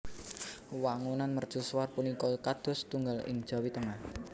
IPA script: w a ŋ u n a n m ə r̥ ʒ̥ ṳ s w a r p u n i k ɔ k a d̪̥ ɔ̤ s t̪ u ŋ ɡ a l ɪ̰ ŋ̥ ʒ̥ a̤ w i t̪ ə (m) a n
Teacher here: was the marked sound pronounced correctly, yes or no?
no